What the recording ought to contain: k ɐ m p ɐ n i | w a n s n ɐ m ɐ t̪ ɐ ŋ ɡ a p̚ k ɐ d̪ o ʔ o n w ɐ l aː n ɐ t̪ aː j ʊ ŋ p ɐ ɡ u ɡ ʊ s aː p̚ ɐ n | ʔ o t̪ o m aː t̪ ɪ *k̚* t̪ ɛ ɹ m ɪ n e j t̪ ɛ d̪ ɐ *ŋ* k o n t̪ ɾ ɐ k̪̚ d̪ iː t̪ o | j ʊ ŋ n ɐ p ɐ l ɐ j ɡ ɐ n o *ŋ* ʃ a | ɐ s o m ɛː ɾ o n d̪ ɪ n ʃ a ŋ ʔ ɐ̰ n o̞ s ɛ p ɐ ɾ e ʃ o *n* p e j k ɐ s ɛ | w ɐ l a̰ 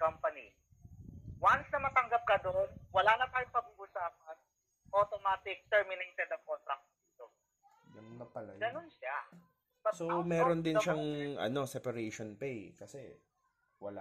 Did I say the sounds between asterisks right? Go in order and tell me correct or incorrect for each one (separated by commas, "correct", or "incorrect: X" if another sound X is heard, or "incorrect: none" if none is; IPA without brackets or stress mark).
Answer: correct, correct, incorrect: n, correct